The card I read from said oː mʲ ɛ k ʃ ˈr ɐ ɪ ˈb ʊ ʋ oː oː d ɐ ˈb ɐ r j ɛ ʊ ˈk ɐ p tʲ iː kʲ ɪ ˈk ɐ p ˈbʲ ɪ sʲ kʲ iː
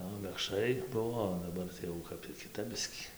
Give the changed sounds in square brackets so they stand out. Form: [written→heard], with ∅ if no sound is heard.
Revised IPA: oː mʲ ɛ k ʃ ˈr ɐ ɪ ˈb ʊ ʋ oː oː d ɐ ˈb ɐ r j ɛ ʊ ˈk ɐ p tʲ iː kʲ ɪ [ˈk→ˈt] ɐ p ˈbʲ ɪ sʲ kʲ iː